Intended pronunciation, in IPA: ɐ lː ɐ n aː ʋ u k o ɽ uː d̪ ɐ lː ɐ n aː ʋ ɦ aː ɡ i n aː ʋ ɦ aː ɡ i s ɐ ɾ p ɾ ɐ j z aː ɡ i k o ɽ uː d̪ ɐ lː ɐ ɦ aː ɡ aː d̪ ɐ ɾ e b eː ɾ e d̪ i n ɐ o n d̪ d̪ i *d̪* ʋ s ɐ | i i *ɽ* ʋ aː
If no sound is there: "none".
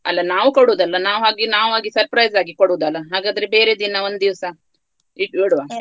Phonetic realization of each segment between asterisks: none, ɽ

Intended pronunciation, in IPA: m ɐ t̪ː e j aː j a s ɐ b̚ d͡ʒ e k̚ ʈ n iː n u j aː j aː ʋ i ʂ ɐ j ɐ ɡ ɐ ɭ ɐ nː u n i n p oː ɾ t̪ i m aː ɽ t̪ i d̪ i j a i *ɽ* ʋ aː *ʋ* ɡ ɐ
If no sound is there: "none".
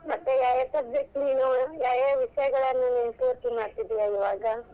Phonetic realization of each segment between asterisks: none, none

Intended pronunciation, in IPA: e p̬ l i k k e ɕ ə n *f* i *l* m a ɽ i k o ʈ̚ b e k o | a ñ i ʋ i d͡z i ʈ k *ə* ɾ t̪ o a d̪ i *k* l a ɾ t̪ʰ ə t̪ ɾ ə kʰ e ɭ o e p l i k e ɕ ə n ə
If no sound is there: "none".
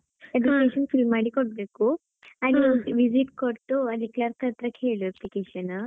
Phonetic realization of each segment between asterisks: f, l, ə, k

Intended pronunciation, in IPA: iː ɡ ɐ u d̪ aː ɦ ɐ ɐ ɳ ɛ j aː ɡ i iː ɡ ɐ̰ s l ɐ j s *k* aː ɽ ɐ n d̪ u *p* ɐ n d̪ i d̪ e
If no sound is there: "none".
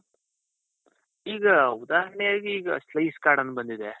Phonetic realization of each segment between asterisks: k, b

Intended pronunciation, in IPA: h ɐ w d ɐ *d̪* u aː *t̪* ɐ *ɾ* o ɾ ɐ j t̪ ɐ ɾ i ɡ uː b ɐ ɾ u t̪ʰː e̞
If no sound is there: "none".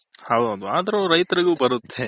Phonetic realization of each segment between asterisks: d̪, d̪, ɾ

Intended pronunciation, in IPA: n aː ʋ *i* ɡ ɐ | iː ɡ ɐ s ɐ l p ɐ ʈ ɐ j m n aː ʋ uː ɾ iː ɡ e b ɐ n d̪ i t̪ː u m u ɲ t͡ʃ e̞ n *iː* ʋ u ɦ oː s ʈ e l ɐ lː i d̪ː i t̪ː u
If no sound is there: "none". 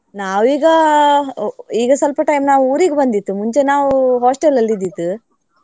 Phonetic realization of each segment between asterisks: iː, aː

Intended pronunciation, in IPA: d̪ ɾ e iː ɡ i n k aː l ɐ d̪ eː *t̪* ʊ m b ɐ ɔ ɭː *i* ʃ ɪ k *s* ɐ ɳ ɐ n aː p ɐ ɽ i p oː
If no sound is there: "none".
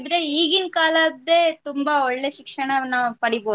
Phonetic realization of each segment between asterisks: t̪, e, ʂ

